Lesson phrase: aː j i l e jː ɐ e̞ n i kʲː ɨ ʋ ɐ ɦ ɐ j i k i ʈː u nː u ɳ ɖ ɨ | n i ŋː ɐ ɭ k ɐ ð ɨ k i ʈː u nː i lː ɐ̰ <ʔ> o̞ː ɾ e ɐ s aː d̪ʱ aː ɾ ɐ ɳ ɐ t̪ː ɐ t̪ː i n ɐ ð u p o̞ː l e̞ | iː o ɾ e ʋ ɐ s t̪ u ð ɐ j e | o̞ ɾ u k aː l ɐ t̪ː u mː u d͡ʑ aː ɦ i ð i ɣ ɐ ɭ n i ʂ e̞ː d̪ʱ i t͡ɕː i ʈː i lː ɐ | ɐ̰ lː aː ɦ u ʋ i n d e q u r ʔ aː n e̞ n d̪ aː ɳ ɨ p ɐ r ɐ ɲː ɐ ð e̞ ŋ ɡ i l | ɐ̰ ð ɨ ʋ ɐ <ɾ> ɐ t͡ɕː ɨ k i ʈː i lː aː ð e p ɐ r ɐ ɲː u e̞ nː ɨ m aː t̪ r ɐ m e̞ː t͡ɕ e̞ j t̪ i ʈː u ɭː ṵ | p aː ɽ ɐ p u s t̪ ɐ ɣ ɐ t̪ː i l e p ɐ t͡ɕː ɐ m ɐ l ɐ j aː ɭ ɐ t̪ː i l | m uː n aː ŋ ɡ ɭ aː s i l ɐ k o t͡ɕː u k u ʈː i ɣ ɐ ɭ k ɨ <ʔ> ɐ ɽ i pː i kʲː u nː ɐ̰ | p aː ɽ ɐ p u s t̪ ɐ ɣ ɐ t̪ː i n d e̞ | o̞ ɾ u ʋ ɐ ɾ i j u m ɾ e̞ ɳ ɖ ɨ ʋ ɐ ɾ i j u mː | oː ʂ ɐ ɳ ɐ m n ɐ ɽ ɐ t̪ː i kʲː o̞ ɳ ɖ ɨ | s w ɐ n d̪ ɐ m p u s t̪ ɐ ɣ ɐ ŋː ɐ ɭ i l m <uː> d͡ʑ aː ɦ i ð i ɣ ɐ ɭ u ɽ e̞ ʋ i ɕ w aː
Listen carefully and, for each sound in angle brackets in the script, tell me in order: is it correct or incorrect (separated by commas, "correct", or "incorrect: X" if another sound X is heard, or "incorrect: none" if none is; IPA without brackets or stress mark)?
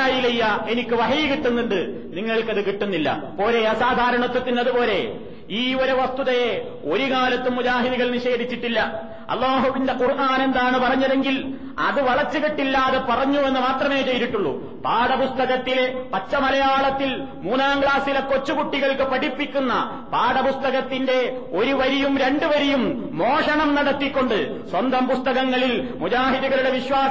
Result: incorrect: p, incorrect: ɭ, incorrect: p, incorrect: u